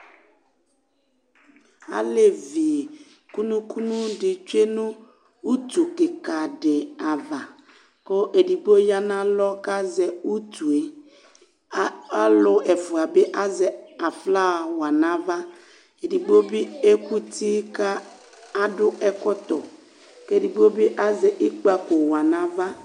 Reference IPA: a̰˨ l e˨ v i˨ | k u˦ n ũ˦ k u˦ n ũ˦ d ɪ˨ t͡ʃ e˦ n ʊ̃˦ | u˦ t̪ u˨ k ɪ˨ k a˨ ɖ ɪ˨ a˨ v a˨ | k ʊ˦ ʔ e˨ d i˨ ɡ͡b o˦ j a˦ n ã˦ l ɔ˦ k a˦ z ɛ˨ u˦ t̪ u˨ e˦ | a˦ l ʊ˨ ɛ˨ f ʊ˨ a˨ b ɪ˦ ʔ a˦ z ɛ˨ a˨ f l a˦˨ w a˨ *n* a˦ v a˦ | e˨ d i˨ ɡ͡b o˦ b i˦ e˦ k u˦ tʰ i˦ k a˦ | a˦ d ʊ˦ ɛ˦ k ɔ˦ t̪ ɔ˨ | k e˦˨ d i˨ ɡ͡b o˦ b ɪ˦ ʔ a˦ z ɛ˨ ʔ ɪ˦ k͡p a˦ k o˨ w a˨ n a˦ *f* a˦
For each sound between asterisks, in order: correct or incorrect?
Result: correct, incorrect

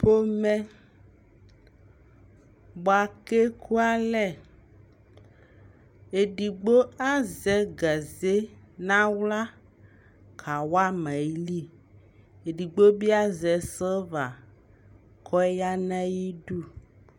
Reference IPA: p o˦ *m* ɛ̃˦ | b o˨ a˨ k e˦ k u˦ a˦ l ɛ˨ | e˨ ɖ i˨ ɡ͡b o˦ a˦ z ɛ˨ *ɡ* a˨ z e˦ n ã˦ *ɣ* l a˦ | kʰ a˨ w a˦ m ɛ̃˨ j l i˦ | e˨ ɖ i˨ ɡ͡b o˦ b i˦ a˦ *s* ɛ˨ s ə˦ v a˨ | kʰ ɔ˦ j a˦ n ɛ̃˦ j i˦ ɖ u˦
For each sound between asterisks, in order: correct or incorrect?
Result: correct, correct, incorrect, incorrect

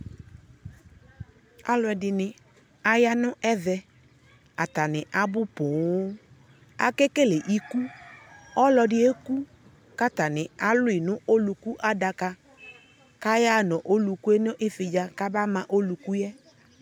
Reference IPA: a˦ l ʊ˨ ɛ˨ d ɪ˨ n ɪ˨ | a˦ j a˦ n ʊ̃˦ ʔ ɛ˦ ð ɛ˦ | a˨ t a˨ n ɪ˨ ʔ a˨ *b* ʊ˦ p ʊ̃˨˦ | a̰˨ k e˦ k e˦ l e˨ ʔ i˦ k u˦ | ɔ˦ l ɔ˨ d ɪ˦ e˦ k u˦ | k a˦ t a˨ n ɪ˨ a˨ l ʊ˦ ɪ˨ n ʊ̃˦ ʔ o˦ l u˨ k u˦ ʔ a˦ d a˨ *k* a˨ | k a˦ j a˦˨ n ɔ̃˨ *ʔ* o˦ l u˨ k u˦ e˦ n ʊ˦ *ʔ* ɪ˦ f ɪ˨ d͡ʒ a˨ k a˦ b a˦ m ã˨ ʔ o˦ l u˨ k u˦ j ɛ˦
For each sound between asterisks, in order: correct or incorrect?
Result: correct, correct, correct, correct

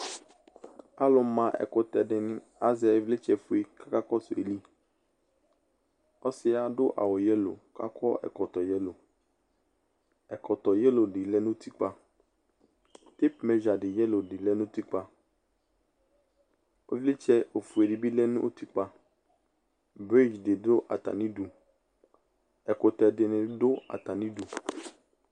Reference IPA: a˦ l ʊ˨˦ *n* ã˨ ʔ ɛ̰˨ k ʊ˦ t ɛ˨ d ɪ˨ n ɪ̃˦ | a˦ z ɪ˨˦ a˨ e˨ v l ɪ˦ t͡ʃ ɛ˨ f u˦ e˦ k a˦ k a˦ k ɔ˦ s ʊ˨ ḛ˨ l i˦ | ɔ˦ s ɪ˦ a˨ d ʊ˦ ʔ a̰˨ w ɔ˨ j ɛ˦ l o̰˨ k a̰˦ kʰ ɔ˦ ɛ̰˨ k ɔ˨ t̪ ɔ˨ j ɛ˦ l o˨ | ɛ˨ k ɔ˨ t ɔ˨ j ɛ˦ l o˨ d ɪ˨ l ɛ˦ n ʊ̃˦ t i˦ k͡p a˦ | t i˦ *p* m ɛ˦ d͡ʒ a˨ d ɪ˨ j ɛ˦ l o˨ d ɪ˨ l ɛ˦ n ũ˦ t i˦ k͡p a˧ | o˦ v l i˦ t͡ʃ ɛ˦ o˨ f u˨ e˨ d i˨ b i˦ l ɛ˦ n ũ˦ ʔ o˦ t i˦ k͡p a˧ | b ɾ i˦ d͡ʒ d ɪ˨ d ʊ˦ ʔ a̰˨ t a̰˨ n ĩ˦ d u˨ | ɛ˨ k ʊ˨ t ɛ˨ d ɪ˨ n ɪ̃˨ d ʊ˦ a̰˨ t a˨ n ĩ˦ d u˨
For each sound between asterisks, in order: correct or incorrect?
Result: incorrect, correct

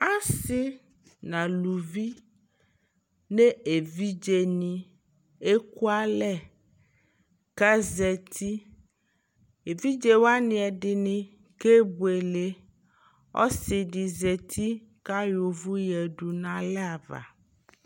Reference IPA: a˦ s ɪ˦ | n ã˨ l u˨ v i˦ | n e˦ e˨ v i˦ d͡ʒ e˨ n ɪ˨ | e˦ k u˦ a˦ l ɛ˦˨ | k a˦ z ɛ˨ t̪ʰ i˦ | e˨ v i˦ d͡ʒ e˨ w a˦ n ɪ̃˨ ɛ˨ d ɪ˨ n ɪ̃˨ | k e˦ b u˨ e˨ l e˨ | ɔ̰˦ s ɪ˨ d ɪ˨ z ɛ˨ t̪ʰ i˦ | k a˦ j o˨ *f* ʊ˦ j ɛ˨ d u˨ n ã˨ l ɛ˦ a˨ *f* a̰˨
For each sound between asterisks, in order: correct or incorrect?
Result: incorrect, incorrect

